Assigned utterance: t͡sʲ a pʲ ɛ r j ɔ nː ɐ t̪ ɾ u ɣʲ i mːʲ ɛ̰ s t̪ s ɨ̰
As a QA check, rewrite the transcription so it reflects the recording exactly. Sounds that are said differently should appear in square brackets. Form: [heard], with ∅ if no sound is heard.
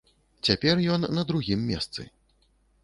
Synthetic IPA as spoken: t͡sʲ a pʲ ɛ r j ɔ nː ɐ [d̪] ɾ u ɣʲ i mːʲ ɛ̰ s t̪ s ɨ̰